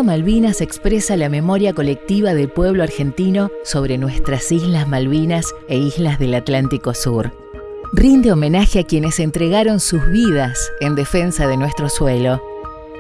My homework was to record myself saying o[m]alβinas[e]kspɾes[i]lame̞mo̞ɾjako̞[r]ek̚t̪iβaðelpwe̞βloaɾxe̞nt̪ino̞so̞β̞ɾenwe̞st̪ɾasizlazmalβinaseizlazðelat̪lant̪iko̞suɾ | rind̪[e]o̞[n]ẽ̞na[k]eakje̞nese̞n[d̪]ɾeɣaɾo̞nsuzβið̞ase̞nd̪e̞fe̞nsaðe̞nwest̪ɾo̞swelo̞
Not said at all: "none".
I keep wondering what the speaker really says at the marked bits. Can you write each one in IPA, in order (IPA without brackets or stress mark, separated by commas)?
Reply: m, e, a, l, e, m, x, t̪